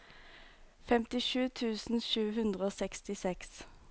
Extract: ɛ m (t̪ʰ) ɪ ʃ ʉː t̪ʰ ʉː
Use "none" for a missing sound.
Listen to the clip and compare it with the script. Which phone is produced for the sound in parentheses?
t̪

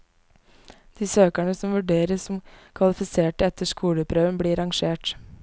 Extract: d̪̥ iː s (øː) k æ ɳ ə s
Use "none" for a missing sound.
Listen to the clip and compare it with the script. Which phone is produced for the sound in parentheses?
øː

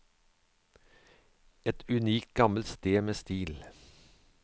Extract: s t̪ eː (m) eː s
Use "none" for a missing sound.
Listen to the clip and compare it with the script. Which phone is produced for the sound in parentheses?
m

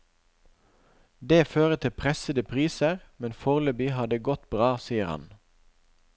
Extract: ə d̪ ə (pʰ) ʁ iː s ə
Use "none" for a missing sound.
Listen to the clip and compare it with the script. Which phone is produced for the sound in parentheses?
pʰ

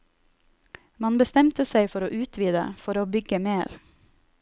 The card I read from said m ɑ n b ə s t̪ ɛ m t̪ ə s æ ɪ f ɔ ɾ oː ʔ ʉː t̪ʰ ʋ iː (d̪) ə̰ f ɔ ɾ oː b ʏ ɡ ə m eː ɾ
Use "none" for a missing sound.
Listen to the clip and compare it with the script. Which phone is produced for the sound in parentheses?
d̪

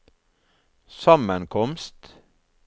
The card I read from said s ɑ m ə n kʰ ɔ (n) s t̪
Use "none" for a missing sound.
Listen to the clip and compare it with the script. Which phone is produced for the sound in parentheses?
m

